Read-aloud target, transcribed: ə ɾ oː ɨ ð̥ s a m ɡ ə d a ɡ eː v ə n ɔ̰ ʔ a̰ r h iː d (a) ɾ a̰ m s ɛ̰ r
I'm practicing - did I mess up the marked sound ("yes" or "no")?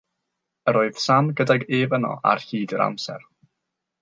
yes